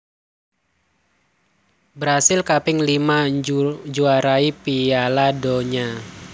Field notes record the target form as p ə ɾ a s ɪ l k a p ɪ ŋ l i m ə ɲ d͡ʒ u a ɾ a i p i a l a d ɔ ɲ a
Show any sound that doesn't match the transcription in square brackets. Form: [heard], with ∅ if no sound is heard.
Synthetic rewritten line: [b] ə ɾ a s ɪ l k a p ɪ ŋ l i m [a] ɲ d͡ʒ u a ɾ a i p i a l a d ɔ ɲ a